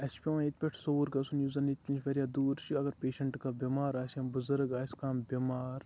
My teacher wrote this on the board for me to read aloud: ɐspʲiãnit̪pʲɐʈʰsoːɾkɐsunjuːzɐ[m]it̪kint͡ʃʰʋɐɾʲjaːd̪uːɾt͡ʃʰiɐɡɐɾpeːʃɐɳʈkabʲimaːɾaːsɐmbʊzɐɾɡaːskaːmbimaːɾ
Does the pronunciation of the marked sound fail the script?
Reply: yes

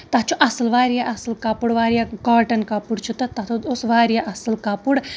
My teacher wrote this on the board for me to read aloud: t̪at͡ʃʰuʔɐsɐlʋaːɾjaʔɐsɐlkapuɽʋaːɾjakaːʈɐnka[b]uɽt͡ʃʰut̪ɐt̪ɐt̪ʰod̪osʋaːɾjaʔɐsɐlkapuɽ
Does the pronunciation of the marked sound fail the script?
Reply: yes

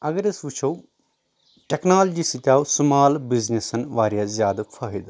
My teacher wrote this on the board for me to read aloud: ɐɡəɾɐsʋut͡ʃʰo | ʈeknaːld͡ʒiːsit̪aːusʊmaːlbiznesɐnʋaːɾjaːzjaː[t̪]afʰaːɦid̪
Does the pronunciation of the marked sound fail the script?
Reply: yes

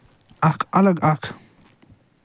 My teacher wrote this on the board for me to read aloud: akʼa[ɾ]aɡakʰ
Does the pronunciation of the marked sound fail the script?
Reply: yes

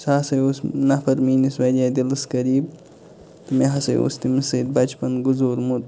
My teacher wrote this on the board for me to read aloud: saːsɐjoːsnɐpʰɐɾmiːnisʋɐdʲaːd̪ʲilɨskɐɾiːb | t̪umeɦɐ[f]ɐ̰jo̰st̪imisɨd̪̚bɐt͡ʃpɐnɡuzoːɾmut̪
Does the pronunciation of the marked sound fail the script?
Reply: yes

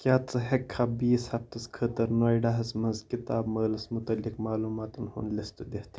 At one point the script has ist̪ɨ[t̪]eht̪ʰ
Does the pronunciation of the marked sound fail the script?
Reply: yes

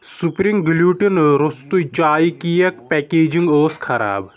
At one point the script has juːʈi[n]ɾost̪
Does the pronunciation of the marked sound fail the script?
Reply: no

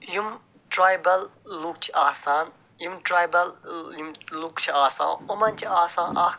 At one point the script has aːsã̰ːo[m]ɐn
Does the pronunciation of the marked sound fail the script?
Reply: no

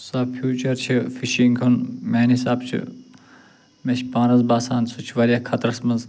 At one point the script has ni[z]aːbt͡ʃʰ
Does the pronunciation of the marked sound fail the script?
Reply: yes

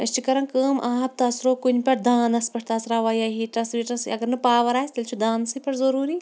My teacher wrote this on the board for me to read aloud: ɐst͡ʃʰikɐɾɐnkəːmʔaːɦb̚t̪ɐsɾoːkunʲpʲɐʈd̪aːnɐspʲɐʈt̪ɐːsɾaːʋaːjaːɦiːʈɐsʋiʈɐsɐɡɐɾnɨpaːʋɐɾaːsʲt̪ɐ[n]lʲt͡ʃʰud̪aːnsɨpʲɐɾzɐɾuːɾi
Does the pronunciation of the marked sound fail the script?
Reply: yes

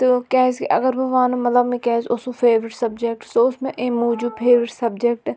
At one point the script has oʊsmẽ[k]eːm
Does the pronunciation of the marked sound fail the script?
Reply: yes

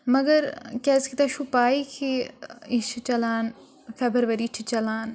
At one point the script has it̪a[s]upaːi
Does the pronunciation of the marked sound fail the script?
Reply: yes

